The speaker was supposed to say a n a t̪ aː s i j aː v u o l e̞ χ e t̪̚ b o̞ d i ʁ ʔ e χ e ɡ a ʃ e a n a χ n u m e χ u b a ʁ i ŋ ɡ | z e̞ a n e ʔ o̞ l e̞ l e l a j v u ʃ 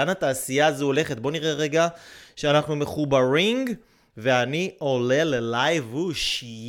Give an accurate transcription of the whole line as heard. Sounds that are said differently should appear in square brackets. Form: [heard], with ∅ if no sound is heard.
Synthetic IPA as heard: a n a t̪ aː s i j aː [z] u o l e̞ χ e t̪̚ b o̞ [n] i ʁ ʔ e [ʁ] e ɡ a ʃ e a n a χ n u m e χ u b a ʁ i ŋ ɡ | [v] e̞ a n [i] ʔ o̞ l e̞ l e l a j v u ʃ